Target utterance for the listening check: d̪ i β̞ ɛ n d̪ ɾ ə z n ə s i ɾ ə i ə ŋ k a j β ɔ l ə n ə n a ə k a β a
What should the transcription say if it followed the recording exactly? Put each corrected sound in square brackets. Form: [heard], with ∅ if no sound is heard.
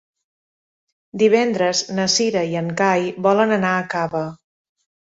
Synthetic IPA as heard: d̪ i β̞ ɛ n d̪ ɾ ə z n ə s i ɾ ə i ə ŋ k a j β ɔ l ə n ə n a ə k a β [ə]